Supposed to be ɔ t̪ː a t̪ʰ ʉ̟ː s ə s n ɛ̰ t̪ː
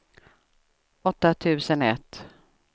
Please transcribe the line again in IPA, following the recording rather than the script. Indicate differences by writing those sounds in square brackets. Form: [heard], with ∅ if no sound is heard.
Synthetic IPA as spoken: ɔ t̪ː a t̪ʰ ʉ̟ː s ə [∅] n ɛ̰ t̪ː